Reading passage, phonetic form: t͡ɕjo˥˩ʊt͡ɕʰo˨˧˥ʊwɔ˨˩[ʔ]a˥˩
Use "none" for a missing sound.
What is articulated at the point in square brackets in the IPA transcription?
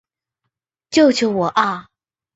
ʔ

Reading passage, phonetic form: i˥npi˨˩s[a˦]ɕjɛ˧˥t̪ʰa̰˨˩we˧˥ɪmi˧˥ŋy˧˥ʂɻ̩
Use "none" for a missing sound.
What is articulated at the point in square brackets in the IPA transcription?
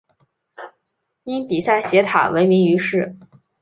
a˥˩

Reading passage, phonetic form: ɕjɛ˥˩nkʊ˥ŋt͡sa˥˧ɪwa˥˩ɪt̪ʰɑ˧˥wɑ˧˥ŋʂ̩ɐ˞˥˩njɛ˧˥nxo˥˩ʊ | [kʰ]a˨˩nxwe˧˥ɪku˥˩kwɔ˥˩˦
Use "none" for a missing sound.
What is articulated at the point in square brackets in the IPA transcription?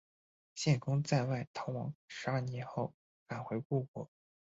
k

